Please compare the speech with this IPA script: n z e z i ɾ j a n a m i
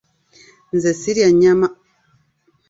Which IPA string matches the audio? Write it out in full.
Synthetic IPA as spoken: n z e s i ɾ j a ɲ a m a